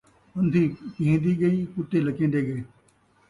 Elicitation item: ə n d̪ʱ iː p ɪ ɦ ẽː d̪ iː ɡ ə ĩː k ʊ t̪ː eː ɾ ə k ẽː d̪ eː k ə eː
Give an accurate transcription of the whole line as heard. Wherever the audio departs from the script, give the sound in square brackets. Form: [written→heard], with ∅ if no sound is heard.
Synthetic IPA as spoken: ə n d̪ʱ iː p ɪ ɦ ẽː d̪ iː ɡ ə [ĩː→iː] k ʊ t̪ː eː [ɾ→l] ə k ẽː d̪ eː [k→ɡ] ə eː